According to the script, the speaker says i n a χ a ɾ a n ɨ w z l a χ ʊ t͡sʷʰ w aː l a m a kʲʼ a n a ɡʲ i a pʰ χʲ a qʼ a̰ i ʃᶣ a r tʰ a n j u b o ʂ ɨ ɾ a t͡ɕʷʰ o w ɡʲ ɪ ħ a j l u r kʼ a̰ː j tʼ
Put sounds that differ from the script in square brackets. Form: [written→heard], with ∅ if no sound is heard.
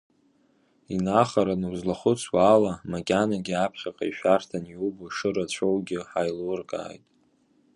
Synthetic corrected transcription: i n a χ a ɾ a n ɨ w z l a χ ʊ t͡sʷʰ w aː l a m a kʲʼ a n a ɡʲ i a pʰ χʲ a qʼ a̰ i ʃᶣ a r tʰ a n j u b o ʂ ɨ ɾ a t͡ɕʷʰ o w ɡʲ ɪ ħ a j l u r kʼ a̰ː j tʼ